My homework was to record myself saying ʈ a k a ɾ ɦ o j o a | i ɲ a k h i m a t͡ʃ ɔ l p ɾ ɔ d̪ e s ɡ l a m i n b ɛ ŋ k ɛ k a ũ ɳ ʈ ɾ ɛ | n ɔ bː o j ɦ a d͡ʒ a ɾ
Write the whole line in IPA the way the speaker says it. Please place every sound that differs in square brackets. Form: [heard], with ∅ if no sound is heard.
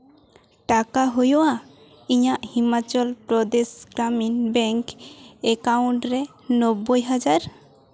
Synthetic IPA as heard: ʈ a k a [∅] ɦ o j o a | i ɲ a [ʔ] h i m a t͡ʃ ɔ l p ɾ ɔ d̪ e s ɡ [ɾ] a m i n b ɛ ŋ k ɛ k a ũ ɳ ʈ ɾ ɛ | n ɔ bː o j ɦ a d͡ʒ a ɾ